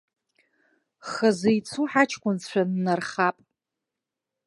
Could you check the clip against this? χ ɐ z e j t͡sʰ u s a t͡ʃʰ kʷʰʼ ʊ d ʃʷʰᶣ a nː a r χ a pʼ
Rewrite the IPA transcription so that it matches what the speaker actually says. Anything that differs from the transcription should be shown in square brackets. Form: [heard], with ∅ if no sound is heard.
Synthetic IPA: χ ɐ z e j t͡sʰ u [ħ] a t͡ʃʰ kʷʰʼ ʊ [n] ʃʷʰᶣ a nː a r χ a pʼ